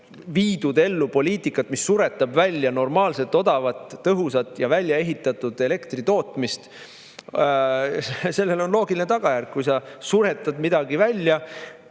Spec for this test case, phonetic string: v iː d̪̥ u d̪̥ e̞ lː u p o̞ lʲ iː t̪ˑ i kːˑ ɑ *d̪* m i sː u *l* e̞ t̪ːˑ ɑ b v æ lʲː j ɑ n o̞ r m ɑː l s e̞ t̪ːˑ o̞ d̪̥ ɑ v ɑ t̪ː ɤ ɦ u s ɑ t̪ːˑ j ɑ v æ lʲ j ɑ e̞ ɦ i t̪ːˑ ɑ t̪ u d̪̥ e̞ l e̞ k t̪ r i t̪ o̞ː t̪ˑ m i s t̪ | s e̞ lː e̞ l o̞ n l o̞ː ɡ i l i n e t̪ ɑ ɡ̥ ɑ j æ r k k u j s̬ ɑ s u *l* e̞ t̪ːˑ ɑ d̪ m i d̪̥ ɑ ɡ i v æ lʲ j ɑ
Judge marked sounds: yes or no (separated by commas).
no, no, no